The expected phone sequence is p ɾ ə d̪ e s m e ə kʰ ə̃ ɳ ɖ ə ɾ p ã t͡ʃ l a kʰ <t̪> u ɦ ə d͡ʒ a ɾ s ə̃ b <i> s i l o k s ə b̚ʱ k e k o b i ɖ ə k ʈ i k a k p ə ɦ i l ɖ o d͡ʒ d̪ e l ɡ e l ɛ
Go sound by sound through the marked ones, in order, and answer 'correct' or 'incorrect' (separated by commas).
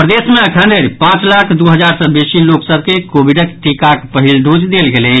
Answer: incorrect, incorrect